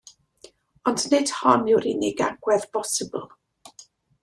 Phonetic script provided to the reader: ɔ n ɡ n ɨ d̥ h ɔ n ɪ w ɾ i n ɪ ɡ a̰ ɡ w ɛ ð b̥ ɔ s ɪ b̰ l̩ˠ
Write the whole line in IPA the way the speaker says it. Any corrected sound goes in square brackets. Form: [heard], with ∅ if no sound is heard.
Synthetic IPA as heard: ɔ n [d] n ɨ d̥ h ɔ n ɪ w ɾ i n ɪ ɡ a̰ ɡ w ɛ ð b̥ ɔ s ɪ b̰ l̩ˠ